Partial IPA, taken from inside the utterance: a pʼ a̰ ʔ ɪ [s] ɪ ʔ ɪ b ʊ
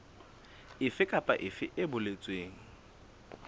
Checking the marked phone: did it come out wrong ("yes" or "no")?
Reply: yes